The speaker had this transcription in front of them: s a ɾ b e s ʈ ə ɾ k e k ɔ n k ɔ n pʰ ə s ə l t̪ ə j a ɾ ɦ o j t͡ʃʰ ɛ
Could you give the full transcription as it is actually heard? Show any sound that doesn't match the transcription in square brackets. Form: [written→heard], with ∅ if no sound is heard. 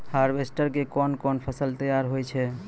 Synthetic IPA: [s→h] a ɾ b e s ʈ ə ɾ k e k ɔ n k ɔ n pʰ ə s ə l t̪ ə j a ɾ ɦ o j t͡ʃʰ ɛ